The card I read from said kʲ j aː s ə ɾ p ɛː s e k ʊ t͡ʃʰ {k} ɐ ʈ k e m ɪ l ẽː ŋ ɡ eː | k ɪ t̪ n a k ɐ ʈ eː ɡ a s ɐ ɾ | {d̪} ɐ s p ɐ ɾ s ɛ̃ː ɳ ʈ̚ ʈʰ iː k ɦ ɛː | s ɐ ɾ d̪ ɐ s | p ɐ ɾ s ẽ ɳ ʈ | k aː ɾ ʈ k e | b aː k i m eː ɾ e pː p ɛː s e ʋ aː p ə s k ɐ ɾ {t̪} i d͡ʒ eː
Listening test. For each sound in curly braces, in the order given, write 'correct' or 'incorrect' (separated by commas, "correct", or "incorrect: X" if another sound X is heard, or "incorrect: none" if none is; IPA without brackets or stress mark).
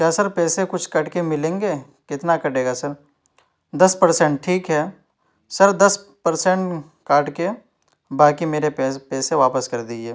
correct, correct, incorrect: d̪